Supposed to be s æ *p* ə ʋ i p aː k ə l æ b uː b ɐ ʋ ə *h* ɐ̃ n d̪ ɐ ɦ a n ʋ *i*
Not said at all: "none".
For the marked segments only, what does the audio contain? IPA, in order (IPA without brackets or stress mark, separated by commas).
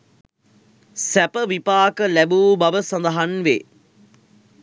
p, s, e